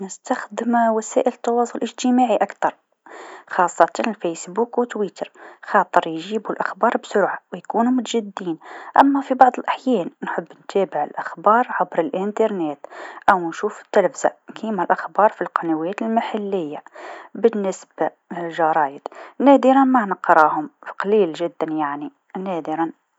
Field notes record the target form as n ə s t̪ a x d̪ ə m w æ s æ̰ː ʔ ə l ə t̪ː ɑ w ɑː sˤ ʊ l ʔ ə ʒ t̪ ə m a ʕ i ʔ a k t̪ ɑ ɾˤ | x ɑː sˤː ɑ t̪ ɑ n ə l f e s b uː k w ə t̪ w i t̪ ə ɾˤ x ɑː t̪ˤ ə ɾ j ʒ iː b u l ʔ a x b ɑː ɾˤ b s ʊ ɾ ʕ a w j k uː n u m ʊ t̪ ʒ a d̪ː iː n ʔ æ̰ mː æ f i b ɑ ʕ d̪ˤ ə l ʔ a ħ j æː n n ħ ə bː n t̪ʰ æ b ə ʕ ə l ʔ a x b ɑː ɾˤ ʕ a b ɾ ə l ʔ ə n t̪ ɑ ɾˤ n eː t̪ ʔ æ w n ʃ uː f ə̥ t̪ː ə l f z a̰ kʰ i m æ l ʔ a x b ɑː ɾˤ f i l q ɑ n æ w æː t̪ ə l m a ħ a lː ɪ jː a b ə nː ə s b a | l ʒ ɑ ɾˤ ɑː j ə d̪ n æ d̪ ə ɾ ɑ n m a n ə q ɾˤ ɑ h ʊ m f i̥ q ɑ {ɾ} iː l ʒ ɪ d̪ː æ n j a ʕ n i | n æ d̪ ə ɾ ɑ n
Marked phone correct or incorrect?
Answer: incorrect